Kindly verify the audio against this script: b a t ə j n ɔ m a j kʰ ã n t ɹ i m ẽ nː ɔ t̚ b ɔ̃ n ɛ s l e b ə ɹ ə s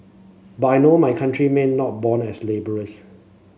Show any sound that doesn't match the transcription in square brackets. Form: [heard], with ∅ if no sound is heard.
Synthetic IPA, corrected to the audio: b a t [a] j n [o] m a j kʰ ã n t ɹ i m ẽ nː ɔ t̚ b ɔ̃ n ɛ s l e b ə ɹ ə s